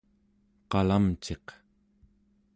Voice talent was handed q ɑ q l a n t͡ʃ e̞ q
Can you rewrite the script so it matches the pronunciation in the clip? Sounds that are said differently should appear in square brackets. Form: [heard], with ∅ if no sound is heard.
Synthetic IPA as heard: q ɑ [∅] l a [m] t͡ʃ e̞ q